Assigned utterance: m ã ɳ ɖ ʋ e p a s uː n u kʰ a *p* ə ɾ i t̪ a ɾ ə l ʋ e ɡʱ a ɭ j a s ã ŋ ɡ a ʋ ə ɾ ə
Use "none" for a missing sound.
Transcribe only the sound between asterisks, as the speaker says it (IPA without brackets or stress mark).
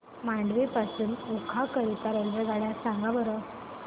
k